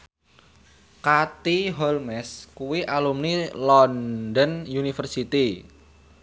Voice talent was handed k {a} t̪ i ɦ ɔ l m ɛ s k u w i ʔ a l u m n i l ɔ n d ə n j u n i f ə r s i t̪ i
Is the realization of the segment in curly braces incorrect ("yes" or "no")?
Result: no